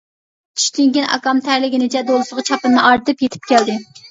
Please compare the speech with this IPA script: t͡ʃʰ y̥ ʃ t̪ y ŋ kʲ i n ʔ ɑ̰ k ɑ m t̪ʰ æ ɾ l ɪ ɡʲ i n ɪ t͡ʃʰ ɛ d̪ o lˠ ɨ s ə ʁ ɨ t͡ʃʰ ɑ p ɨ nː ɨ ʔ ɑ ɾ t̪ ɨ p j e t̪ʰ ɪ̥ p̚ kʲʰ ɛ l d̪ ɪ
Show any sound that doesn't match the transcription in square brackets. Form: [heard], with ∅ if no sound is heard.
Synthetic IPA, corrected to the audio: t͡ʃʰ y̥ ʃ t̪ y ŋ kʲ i n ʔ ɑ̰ k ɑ m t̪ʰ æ ɾ l ɪ ɡʲ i n ɪ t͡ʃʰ ɛ d̪ o lˠ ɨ s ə ʁ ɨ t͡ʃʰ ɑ p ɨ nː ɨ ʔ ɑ ɾ t̪ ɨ p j e t̪ʰ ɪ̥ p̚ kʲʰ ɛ l d̪ ɪ

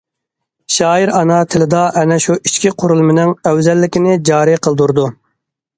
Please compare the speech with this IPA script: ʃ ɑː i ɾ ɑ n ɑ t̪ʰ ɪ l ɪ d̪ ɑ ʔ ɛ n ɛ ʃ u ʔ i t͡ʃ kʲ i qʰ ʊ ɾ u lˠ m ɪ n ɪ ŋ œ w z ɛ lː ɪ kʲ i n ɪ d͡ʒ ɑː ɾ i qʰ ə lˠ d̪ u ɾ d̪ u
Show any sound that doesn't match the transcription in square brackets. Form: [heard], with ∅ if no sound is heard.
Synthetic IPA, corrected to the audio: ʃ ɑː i ɾ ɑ n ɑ t̪ʰ ɪ l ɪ d̪ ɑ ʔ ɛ n ɛ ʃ u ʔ i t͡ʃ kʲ i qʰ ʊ ɾ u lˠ m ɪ n ɪ ŋ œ w z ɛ lː ɪ kʲ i n ɪ d͡ʒ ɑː ɾ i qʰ ə lˠ d̪ u ɾ d̪ u

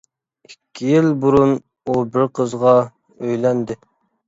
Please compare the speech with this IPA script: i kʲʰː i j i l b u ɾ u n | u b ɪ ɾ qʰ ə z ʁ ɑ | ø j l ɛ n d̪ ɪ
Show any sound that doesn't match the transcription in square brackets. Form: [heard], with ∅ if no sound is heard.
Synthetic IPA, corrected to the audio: i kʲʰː i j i l b u ɾ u n | u b ɪ ɾ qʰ ə z ʁ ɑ | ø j l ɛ n d̪ ɪ

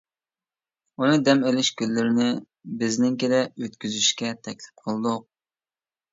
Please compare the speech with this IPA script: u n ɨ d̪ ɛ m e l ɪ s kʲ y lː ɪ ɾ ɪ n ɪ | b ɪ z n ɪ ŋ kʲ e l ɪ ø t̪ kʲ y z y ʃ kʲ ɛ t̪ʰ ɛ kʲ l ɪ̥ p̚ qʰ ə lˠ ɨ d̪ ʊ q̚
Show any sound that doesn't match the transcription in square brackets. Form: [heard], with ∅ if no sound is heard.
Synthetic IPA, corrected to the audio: u n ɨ d̪ ɛ m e l ɪ [ʃ] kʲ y lː ɪ ɾ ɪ n ɪ | b ɪ z n ɪ ŋ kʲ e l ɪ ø t̪ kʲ y z y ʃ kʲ ɛ t̪ʰ ɛ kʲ l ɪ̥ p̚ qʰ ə lˠ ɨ d̪ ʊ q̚

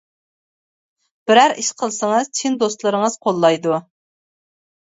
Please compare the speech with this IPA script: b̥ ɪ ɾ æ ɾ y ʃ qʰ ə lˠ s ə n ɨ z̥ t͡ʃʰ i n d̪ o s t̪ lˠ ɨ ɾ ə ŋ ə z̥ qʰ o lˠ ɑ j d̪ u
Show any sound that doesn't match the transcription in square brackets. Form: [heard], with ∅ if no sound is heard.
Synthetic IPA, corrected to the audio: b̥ ɪ ɾ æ ɾ [i] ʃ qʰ ə lˠ s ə [ŋ] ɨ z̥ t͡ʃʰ i n d̪ o s t̪ lˠ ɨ ɾ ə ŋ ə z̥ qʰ o [lˠː] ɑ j d̪ u

